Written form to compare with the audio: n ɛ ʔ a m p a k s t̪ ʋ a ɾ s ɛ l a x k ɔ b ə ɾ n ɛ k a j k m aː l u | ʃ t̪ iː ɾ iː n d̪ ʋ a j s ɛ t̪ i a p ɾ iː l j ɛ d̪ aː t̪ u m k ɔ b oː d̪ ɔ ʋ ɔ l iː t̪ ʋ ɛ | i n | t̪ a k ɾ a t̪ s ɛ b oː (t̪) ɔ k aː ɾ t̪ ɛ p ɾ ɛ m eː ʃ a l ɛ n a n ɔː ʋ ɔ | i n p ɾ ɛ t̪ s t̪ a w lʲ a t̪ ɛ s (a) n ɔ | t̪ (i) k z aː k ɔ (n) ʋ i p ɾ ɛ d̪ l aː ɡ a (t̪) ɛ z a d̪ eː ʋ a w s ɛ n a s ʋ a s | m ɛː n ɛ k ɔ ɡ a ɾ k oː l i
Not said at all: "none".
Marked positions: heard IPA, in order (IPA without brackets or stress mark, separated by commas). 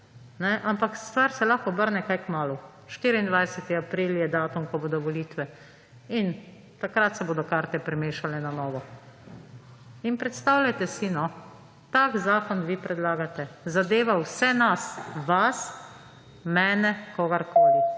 d̪, i, a, n, t̪